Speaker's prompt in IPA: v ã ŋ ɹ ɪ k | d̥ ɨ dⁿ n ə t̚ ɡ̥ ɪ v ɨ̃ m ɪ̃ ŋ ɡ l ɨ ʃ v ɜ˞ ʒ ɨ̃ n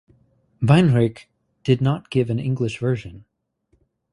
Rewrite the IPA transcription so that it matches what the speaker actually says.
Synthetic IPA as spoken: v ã n ɹ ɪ k | d̥ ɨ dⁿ n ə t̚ ɡ̥ ɪ v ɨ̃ n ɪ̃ ŋ ɡ l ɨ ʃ v ɜ˞ ʒ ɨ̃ n